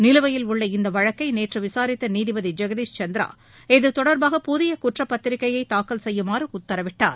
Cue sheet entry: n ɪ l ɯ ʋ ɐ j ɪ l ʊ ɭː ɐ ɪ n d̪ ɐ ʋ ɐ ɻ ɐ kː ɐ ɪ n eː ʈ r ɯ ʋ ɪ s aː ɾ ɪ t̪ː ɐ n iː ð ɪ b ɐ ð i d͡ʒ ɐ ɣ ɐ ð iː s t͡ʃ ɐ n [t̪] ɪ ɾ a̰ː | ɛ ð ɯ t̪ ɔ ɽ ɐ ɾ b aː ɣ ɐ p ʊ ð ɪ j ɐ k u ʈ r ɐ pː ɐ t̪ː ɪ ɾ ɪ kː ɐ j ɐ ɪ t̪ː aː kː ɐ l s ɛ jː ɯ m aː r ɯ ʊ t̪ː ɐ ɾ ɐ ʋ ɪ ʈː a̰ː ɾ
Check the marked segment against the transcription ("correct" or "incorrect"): incorrect